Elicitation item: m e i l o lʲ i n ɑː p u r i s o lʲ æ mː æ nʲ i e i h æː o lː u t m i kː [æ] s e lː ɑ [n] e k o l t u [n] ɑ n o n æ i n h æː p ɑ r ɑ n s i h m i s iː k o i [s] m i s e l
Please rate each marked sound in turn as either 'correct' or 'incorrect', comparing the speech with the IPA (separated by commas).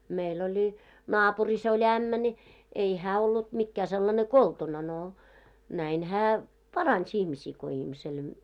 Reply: incorrect, correct, correct, incorrect